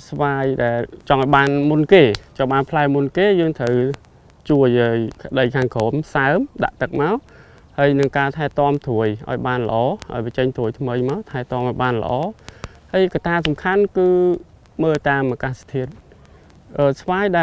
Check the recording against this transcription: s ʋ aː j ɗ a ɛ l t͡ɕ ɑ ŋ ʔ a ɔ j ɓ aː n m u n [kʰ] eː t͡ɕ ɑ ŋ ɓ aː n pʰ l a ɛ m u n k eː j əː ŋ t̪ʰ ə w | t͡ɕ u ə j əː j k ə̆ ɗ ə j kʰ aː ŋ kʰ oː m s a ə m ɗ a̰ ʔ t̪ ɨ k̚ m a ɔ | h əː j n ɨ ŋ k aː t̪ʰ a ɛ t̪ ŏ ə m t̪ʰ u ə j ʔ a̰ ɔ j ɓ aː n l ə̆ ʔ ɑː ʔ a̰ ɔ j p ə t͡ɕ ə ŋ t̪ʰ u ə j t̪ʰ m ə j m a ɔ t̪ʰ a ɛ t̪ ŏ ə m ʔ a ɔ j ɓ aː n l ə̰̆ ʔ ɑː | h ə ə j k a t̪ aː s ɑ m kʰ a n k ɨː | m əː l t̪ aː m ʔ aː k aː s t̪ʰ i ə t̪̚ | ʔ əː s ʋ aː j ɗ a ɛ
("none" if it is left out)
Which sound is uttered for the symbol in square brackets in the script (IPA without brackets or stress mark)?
k